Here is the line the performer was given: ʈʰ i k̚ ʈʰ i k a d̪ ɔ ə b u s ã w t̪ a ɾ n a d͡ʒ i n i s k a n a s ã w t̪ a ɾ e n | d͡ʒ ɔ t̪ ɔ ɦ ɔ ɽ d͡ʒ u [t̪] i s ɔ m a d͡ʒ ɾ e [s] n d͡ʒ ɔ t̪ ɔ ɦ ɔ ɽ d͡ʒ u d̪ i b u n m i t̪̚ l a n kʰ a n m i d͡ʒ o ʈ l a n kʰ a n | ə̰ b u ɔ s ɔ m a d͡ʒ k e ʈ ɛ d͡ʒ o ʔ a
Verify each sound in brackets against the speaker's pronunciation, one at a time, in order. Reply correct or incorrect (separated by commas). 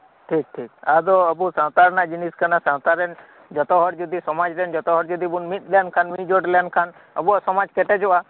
incorrect, incorrect